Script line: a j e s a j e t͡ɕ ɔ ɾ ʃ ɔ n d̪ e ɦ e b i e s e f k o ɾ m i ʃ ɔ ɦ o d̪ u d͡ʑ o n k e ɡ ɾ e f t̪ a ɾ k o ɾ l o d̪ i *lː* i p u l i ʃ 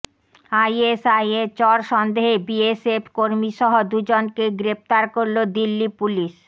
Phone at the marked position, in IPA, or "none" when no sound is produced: lː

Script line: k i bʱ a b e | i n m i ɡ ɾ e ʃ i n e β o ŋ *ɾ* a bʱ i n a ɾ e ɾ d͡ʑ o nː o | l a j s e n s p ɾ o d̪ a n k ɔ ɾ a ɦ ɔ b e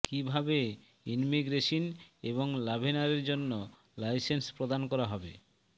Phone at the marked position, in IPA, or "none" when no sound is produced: l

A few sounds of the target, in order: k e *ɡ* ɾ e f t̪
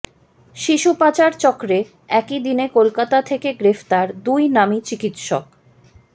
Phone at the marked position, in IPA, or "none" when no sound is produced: ɡ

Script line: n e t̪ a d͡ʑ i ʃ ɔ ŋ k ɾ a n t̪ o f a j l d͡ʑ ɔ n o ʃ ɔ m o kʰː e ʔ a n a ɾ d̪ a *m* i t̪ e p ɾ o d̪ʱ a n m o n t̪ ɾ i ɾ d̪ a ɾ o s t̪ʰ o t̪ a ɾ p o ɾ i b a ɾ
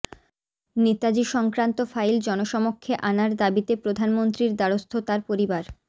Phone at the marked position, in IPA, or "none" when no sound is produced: b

